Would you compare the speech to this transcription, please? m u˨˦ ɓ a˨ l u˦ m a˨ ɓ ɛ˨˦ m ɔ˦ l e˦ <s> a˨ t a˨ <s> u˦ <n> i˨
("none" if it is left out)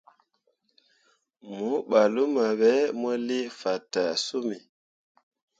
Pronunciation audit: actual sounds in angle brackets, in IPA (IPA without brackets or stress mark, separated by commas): f, s, m